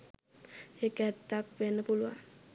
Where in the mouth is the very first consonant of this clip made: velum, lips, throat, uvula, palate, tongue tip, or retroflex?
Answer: velum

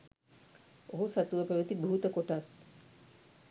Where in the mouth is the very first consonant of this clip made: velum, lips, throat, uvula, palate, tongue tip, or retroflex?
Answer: throat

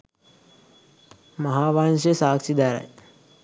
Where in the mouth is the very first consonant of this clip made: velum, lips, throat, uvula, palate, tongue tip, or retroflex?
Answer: lips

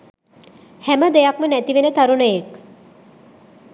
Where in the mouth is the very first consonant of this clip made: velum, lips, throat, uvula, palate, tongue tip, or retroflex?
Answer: throat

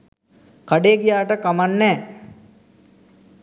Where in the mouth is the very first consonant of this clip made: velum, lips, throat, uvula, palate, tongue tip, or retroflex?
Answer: velum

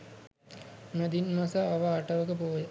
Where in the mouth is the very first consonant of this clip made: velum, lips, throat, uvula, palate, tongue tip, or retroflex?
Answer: lips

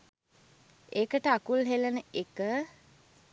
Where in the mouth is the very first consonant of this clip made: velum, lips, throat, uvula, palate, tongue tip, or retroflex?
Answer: velum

